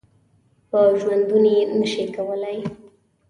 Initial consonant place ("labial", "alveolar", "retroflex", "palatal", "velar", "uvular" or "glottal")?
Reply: labial